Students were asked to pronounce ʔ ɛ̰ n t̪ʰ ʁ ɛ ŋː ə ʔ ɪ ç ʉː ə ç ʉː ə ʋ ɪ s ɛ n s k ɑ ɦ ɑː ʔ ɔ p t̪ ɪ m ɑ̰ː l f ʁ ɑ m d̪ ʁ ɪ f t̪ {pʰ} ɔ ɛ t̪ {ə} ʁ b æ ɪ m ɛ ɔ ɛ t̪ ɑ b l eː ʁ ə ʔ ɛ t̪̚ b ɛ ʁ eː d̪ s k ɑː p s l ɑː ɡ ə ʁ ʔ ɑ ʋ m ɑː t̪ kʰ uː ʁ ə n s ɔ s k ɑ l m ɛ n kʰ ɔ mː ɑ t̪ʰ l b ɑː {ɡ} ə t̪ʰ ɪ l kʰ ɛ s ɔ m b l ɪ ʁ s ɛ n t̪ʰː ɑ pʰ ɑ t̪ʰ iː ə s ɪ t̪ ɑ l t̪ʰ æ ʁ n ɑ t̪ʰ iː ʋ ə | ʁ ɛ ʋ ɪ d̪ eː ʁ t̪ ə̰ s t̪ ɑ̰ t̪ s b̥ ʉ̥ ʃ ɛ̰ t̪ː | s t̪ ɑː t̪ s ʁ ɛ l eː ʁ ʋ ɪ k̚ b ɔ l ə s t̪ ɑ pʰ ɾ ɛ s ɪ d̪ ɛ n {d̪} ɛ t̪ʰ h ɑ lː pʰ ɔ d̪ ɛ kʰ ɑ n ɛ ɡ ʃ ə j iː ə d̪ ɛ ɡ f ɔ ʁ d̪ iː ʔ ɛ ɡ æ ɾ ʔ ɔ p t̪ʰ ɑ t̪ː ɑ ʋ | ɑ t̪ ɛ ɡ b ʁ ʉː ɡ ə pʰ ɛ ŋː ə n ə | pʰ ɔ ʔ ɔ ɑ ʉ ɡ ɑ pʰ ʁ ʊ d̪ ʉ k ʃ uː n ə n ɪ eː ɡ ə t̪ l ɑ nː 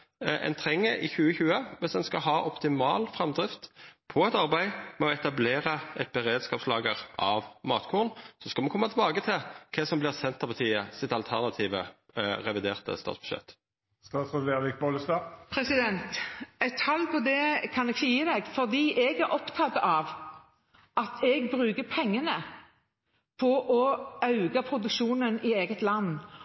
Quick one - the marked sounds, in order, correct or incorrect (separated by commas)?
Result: correct, incorrect, correct, incorrect